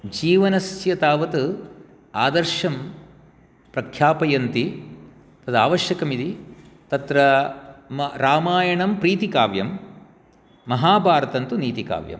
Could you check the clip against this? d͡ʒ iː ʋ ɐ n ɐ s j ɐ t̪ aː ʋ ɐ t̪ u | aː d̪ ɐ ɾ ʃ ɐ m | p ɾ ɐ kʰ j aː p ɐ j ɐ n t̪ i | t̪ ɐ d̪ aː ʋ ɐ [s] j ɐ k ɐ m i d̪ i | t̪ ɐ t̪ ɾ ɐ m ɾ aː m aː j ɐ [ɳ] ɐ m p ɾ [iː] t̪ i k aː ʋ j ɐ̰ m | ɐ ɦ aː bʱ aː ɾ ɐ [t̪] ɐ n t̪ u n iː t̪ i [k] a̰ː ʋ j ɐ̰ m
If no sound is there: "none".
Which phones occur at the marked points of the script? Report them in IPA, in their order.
ʃ, ɳ, iː, t̪, k

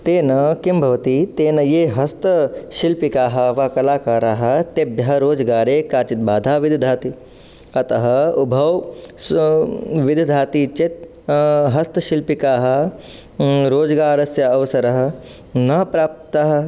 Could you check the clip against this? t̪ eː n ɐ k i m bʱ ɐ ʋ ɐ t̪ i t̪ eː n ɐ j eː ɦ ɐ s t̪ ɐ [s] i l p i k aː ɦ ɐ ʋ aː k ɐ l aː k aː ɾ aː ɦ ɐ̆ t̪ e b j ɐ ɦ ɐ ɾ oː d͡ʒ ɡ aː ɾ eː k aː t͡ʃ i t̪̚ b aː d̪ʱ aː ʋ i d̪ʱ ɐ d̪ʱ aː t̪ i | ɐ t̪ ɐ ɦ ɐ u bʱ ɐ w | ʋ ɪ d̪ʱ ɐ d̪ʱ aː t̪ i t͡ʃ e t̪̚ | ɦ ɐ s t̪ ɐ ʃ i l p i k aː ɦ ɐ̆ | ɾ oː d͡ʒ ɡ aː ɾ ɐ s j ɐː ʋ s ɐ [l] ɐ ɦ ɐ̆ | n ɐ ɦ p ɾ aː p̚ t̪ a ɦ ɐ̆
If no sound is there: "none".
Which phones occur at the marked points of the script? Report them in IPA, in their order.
ʃ, ɾ

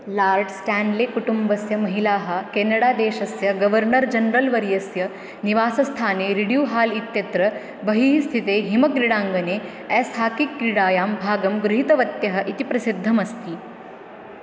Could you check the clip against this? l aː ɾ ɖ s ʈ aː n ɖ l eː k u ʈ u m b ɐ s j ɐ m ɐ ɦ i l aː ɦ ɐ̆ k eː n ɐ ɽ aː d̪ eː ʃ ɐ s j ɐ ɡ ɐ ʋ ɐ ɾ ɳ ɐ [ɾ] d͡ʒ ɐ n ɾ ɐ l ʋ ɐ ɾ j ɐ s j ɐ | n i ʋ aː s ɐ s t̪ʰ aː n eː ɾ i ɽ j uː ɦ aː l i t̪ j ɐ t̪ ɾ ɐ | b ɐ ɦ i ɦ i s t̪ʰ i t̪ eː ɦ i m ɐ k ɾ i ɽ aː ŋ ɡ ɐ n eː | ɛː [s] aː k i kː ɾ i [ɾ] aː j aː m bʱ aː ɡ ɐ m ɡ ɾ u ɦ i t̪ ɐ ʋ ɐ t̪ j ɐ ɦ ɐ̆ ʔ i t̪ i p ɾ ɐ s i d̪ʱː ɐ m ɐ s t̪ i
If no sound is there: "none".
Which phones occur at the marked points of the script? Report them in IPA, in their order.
ɾ, s, ɽ

